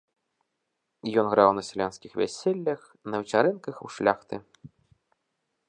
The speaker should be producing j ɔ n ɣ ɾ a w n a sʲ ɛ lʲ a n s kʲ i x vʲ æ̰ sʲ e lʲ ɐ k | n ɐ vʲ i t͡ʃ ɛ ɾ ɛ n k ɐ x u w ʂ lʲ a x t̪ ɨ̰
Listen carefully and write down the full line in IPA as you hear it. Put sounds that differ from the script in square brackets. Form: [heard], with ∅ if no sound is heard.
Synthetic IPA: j ɔ n ɣ ɾ a w n [ɐ] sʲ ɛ lʲ a n s kʲ i x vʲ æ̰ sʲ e [lʲː] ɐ [x] | n ɐ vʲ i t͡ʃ [a] ɾ ɛ n k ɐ x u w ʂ lʲ a x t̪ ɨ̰